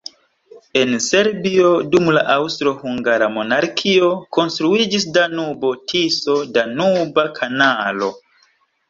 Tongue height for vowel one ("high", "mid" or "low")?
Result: mid